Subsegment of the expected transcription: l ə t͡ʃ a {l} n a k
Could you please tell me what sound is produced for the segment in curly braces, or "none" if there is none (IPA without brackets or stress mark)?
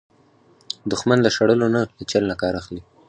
l